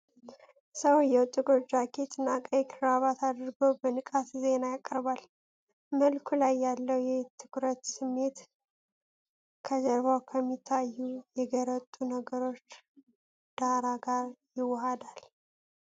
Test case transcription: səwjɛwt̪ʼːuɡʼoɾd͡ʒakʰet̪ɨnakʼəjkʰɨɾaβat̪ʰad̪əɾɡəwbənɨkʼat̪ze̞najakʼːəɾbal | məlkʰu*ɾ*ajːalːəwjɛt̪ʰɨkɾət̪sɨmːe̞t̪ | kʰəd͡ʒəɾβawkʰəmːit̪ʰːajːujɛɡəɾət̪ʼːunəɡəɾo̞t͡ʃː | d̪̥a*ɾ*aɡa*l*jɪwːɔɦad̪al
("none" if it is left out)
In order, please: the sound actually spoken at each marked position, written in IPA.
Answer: l, ɾ, ɾ

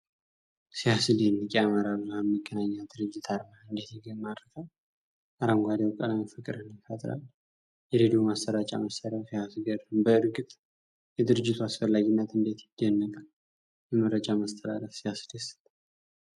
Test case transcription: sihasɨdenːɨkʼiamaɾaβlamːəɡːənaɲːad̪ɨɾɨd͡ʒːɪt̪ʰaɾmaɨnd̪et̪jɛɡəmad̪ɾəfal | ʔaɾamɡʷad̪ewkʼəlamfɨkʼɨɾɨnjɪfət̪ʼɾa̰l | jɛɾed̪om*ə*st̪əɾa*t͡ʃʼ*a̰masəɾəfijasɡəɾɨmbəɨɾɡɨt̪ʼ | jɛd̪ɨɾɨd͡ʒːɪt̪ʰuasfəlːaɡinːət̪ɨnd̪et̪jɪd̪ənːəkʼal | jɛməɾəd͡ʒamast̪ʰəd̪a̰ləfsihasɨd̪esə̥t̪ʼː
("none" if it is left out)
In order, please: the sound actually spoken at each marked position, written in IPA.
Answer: a, t͡ʃʼ

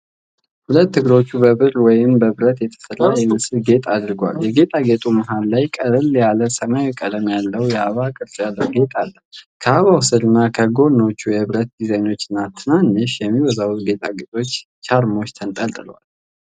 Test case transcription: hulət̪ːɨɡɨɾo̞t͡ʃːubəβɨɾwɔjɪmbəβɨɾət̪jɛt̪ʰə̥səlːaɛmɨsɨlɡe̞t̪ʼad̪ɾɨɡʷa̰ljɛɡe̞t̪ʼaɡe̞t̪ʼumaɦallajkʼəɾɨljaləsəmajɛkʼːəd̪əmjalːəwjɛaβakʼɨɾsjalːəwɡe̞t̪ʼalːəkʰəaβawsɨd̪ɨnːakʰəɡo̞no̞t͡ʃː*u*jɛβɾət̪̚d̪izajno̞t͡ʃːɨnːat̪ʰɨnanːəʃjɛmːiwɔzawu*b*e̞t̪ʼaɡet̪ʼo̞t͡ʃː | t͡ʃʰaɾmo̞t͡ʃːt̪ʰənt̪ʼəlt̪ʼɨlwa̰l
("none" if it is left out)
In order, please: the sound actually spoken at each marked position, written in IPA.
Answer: u, ɡ

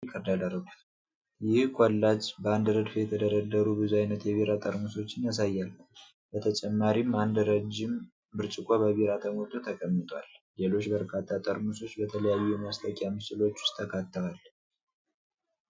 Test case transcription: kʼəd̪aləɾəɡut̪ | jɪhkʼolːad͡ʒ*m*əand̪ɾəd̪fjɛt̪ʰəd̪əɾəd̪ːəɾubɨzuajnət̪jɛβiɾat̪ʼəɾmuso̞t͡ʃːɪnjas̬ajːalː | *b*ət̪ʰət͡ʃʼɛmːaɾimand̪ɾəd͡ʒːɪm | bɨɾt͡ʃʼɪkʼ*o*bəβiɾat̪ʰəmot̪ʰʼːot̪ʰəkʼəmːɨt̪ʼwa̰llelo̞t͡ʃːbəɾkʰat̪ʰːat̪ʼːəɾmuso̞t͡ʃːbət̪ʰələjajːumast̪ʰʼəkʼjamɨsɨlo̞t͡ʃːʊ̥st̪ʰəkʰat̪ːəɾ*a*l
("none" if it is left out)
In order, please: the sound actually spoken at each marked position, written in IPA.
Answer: b, b, o, a

